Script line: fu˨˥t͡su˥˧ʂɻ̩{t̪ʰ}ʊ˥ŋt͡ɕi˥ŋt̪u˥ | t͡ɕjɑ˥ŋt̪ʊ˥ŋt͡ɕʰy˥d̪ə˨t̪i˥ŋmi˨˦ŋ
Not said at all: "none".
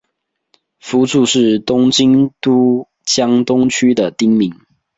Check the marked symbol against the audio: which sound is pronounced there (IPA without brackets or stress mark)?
t̪